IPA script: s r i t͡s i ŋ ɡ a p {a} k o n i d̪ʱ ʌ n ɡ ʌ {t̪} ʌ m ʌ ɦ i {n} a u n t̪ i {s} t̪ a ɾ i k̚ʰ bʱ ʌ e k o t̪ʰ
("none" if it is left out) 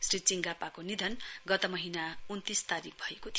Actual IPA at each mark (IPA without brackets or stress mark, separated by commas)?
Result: a, t̪, n, s